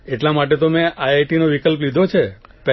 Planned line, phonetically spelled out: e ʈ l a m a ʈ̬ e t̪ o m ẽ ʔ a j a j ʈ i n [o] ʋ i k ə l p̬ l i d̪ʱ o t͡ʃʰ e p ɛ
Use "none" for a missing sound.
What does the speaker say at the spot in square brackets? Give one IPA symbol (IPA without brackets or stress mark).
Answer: o